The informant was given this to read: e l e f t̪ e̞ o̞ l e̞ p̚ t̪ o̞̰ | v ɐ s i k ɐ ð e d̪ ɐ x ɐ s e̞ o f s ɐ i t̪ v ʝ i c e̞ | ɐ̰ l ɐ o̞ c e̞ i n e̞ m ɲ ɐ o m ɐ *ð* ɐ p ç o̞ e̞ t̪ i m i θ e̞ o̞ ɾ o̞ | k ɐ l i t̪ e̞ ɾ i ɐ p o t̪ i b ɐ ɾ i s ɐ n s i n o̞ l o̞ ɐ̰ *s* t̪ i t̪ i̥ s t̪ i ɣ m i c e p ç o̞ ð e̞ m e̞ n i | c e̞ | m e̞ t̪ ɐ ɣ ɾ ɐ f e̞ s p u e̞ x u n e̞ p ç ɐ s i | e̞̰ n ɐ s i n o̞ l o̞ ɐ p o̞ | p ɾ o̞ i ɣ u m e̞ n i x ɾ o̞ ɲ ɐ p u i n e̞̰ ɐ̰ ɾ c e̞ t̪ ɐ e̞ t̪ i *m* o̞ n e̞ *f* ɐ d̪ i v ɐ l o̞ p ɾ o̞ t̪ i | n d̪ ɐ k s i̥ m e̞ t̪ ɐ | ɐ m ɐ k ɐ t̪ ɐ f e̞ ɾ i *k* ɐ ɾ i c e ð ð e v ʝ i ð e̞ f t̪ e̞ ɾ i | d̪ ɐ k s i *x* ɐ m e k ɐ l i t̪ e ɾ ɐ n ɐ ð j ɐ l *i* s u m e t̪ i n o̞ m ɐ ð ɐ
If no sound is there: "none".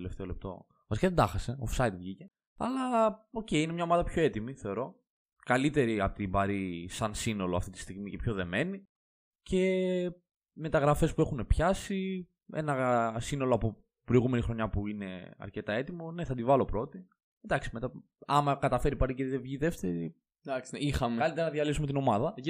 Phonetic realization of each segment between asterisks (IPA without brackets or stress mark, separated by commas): ð, f, m, θ, p, x, i